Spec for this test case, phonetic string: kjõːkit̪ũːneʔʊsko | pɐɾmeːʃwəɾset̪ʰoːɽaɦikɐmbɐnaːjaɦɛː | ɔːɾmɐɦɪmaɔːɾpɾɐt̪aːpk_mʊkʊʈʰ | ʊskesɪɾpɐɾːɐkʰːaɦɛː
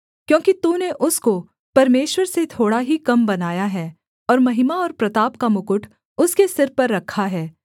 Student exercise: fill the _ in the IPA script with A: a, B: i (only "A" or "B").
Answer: A